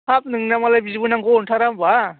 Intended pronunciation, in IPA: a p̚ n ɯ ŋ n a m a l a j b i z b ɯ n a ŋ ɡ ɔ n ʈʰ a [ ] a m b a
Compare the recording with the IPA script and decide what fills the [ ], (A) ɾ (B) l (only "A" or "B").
A